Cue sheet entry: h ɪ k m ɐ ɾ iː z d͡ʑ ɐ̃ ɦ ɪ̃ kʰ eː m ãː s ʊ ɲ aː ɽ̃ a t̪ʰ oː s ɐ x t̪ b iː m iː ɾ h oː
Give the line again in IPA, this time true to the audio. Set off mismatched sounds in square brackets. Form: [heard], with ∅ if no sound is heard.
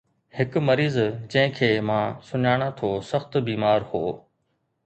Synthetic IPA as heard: h ɪ k m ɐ ɾ iː z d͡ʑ ɐ̃ ɦ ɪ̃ kʰ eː m ãː s ʊ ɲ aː ɽ̃ a t̪ʰ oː s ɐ x t̪ b iː m [aː] ɾ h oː